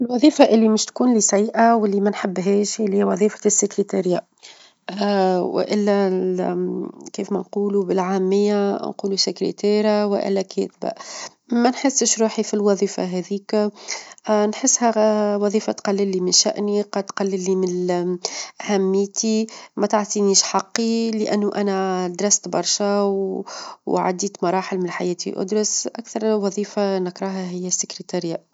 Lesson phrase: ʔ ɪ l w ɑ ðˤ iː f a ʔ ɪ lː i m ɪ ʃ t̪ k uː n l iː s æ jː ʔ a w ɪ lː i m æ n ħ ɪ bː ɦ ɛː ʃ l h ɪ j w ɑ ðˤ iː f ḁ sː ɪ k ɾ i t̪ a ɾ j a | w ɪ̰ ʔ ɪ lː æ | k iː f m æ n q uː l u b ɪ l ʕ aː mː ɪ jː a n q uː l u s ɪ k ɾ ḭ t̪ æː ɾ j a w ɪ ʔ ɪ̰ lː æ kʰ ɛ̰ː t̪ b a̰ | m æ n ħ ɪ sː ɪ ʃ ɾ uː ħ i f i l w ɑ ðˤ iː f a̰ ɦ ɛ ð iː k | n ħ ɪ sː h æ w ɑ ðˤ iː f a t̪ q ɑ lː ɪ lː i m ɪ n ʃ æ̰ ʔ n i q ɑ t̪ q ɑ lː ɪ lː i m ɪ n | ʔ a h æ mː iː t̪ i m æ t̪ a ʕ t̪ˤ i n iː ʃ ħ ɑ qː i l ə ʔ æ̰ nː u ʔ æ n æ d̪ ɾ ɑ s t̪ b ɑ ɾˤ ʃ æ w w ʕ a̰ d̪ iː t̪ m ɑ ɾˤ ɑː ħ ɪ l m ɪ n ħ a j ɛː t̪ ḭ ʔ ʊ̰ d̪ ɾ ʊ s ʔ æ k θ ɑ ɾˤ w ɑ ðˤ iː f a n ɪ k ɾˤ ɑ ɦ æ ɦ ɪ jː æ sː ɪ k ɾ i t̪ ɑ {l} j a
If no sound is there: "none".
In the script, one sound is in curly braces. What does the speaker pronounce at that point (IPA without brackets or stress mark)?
ɾ